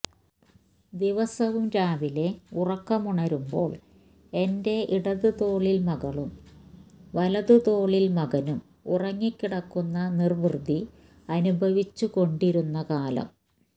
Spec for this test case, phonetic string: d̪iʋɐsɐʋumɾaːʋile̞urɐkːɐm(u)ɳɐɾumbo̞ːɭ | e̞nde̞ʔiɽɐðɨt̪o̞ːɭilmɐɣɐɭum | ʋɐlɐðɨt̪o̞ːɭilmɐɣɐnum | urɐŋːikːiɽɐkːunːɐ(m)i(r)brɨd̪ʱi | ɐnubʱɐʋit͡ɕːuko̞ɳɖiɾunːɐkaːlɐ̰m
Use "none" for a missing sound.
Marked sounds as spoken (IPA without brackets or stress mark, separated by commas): u, n, r